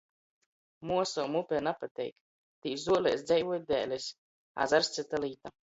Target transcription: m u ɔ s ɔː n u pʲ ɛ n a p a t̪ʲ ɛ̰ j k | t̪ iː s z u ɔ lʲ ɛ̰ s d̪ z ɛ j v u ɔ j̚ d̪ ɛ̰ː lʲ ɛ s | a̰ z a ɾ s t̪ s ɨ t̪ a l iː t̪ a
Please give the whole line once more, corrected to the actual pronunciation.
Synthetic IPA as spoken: m u ɔ s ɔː m u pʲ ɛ n a p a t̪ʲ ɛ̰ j k | t̪ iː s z u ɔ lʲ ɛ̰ s d̪ z ɛ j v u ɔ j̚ d̪ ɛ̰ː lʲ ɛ s | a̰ z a ɾ s t̪ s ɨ t̪ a l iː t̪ a